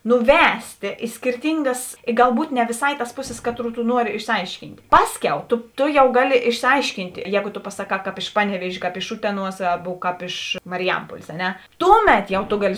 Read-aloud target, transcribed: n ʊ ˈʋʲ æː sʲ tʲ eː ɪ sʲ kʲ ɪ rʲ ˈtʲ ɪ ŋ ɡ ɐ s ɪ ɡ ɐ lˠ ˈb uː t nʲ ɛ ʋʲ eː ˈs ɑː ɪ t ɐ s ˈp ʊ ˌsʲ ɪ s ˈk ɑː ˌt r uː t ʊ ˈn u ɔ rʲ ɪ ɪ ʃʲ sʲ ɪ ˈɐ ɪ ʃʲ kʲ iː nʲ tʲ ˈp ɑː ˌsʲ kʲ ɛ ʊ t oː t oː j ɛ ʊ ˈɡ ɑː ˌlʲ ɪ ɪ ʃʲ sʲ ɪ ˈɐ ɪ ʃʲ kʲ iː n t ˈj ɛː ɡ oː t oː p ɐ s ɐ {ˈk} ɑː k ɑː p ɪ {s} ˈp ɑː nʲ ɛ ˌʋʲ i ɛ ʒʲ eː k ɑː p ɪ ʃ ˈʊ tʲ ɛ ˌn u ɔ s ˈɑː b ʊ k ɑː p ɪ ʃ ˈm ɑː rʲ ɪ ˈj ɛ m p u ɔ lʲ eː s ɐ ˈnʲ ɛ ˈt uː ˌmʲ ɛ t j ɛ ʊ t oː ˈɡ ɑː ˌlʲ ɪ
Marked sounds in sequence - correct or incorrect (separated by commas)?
correct, incorrect